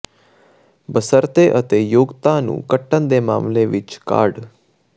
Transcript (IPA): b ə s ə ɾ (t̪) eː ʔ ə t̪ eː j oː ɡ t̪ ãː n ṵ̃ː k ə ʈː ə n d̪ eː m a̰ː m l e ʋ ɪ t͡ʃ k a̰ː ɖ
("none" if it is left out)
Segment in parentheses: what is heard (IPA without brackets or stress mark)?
t̪